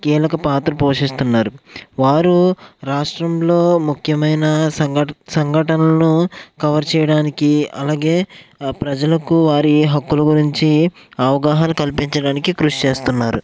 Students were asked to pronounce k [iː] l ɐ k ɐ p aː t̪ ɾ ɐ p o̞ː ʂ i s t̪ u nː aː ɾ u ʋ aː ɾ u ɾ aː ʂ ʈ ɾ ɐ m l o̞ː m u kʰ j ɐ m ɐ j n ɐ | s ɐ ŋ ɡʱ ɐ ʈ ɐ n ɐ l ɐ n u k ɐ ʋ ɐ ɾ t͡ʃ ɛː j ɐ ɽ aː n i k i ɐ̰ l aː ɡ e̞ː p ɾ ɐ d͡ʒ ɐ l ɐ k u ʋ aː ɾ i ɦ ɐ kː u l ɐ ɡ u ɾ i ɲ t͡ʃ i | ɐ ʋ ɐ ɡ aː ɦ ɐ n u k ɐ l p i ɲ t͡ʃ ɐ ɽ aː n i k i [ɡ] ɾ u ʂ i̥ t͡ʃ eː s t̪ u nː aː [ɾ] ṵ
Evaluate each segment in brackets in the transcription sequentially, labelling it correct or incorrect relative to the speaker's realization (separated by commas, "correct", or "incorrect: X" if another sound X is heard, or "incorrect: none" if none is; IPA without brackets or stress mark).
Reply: correct, incorrect: k, correct